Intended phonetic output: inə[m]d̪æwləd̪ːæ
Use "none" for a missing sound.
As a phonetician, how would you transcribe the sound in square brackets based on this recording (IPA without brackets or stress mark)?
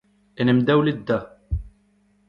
m